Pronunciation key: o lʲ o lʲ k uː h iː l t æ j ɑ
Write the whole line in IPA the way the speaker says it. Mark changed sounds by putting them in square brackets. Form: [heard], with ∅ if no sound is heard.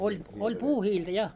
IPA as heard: o lʲ o lʲ [p] uː h iː l t æ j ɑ